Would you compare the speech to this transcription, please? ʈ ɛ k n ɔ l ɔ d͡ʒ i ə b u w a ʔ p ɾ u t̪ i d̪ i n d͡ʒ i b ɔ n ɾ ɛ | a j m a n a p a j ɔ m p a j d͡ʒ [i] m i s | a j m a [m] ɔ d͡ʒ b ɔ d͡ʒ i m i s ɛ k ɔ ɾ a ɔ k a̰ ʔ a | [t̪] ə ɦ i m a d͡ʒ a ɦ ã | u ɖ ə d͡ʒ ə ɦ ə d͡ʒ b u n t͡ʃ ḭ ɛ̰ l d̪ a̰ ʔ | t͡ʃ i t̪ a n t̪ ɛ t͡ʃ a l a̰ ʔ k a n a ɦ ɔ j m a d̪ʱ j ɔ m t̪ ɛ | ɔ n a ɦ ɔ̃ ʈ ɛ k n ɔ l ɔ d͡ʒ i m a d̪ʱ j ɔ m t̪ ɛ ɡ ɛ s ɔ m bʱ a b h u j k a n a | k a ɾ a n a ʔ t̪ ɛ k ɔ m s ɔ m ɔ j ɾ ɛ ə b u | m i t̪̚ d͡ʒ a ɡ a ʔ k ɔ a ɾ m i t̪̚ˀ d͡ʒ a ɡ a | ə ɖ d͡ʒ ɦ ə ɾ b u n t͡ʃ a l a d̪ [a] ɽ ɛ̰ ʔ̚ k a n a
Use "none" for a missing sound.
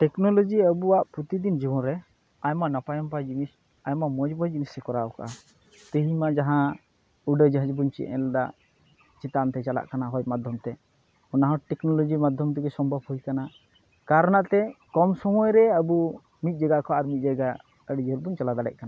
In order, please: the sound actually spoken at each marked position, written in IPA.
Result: i, m, t̪, a

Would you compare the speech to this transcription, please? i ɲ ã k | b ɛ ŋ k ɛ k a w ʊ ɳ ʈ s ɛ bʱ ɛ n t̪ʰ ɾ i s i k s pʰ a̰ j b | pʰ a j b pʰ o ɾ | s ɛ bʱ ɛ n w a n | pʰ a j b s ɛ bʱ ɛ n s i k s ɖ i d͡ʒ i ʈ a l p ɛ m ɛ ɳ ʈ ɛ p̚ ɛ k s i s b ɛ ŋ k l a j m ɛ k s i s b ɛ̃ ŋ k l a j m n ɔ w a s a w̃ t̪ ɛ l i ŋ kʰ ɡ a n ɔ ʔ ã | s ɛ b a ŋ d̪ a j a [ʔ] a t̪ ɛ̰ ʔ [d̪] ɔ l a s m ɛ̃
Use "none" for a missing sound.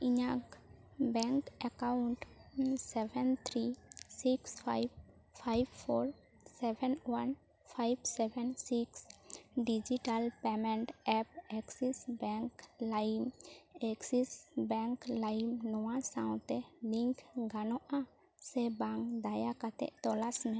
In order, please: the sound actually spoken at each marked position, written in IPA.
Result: k, t̪

